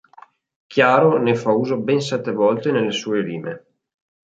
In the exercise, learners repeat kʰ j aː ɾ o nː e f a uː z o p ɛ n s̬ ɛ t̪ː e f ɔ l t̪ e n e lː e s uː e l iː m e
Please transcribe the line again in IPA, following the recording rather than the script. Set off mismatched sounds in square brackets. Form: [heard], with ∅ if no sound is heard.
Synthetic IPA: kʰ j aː ɾ o [n] e f a uː z o [b] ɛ n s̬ ɛ t̪ː e [v] ɔ l t̪ e n e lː e s uː e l iː m e